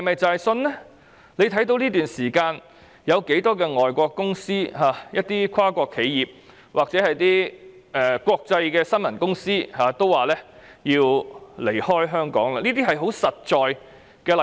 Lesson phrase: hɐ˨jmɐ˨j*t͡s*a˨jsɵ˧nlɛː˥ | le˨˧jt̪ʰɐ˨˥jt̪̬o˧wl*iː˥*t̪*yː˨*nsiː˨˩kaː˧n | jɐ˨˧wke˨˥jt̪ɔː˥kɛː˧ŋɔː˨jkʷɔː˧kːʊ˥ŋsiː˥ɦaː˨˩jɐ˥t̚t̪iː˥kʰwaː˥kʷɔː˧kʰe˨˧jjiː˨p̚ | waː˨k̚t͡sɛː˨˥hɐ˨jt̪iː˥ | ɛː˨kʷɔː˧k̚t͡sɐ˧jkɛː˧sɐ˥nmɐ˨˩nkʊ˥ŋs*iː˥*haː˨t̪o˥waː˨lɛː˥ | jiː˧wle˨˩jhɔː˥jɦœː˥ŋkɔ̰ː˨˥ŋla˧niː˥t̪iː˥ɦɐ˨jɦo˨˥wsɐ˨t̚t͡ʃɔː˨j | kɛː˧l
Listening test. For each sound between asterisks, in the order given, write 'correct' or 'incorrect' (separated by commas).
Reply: correct, correct, correct, correct